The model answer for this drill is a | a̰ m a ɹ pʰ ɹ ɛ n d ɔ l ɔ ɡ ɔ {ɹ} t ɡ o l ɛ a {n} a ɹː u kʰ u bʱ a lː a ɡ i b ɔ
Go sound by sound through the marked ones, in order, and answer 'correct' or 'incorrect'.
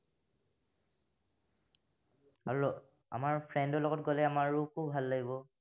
incorrect: none, incorrect: m

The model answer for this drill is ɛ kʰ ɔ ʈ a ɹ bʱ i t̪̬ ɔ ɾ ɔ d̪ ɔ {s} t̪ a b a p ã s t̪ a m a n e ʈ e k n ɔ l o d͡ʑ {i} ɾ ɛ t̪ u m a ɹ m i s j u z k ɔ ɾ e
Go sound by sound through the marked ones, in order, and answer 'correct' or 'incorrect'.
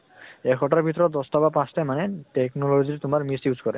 correct, correct

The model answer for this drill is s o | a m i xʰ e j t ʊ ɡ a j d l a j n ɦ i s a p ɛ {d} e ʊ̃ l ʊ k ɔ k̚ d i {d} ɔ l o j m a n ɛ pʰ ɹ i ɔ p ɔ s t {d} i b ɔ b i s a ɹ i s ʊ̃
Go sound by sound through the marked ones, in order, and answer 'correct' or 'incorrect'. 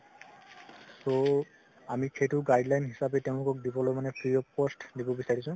incorrect: t, incorrect: b, correct

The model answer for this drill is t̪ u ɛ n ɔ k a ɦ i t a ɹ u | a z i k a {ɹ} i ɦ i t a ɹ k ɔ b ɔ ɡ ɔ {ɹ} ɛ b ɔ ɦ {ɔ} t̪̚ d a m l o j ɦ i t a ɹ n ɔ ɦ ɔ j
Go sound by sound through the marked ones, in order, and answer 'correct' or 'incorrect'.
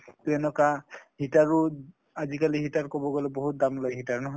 incorrect: l, incorrect: l, incorrect: u

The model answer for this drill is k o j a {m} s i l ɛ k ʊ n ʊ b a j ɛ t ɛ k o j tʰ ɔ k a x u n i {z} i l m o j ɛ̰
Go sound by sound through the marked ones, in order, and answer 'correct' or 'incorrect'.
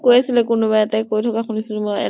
incorrect: none, incorrect: s

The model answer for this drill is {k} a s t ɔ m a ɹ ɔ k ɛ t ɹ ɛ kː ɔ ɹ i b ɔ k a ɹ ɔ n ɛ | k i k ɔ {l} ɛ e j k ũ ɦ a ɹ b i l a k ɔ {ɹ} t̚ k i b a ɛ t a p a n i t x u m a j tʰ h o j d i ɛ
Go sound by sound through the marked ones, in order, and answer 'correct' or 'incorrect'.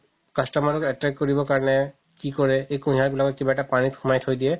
correct, incorrect: ɹ, incorrect: none

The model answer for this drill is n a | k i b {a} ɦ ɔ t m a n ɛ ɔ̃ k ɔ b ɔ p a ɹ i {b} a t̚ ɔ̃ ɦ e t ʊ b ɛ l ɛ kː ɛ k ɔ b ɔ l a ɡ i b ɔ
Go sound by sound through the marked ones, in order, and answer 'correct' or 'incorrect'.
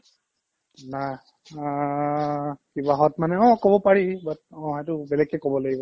correct, correct

